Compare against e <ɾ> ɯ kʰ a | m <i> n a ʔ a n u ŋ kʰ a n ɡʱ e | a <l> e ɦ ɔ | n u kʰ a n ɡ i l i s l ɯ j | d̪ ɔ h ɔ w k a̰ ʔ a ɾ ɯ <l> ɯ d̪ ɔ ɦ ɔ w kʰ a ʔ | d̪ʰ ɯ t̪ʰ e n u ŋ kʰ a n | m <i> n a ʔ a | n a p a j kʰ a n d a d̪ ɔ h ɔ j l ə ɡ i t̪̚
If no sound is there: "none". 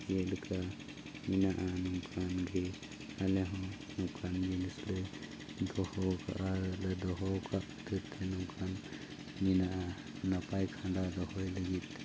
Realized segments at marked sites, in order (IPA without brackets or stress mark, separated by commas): l, i, l, l, i